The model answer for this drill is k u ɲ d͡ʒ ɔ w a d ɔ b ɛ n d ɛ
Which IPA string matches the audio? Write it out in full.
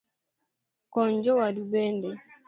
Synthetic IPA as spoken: k ɔ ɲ d͡ʒ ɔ w a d u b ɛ n d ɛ